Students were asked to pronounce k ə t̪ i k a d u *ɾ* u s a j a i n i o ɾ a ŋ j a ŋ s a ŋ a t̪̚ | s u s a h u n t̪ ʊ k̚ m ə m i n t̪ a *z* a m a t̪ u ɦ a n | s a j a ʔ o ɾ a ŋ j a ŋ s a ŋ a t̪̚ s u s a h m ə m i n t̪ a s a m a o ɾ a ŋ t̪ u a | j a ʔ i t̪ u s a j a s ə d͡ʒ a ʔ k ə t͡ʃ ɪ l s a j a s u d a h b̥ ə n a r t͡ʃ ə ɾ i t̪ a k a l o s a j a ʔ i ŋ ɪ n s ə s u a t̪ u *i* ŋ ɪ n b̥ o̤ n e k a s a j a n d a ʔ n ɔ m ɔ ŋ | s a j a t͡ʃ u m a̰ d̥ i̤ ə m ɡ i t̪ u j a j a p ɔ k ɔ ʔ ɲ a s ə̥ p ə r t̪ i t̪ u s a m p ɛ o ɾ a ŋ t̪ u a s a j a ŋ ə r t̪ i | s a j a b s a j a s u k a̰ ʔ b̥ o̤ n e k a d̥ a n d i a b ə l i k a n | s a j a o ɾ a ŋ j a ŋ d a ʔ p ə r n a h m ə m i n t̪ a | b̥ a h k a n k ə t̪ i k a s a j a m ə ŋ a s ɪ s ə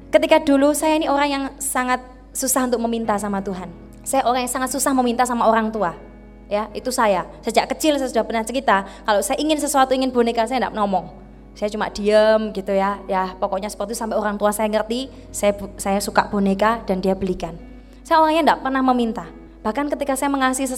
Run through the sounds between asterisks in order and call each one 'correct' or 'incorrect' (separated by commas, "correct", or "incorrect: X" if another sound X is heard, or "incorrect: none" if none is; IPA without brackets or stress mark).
incorrect: l, incorrect: s, correct